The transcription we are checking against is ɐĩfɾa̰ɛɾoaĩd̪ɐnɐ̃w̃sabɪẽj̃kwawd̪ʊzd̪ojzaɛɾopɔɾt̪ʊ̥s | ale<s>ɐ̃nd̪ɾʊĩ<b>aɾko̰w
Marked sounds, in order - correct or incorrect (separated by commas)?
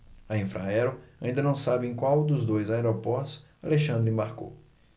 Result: incorrect, correct